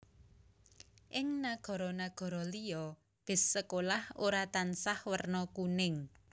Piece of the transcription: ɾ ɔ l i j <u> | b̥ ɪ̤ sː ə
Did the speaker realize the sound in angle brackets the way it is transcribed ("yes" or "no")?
no